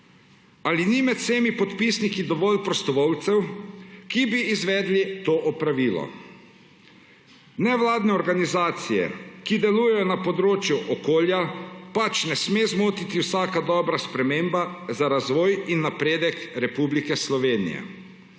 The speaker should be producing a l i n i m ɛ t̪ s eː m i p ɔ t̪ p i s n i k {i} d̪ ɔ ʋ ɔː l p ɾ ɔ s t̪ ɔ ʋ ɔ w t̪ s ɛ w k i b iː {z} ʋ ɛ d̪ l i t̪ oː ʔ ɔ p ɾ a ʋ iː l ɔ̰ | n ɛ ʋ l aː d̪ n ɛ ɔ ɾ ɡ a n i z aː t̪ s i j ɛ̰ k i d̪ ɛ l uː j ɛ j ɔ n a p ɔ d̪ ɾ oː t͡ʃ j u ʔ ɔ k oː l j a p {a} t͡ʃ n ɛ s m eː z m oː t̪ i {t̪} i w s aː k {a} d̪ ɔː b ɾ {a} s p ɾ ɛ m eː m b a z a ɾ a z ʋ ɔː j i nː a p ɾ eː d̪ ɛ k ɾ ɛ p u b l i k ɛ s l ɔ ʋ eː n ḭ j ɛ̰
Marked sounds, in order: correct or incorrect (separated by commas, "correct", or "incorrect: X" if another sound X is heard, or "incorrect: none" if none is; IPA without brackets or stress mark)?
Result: correct, correct, correct, correct, correct, correct